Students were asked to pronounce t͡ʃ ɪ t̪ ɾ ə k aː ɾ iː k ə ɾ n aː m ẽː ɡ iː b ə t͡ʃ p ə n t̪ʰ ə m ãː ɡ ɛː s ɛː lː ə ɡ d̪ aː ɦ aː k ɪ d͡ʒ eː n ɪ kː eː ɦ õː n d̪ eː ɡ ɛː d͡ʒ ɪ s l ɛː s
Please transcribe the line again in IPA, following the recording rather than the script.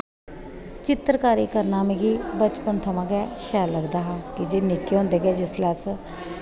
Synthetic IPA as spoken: t͡ʃ ɪ t̪ ɾ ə k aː ɾ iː k ə ɾ n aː m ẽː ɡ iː b ə t͡ʃ p ə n t̪ʰ ə m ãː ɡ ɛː ʃ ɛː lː ə ɡ d̪ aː ɦ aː k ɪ d͡ʒ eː n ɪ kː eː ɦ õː n d̪ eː ɡ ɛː d͡ʒ ɪ s l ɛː s